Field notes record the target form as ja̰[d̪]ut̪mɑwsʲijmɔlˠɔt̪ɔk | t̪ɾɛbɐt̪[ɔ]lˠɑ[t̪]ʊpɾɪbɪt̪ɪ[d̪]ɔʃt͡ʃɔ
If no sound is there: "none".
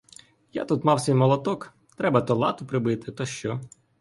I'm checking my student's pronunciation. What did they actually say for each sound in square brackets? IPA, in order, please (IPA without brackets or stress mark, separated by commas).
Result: t̪, ɔ, t̪, t̪